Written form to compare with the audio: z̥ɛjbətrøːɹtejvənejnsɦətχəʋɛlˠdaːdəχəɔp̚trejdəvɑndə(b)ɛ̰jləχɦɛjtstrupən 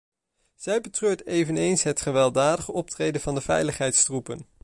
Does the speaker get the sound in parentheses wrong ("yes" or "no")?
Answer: yes